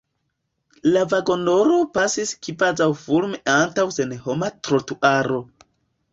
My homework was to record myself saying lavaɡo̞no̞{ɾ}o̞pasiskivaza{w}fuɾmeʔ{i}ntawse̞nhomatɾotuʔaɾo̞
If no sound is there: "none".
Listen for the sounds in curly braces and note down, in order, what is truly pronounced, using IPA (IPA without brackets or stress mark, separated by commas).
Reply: ɾ, w, a